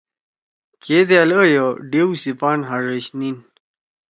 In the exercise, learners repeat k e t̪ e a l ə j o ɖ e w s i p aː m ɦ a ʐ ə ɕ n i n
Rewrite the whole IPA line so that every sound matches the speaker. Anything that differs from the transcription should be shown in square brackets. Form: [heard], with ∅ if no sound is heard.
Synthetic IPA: k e [d̪] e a l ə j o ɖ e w s i p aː [n] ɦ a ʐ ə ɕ n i n